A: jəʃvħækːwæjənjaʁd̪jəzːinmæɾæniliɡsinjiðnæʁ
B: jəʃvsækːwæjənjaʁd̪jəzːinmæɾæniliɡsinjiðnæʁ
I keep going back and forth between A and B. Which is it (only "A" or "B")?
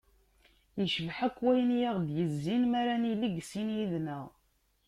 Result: A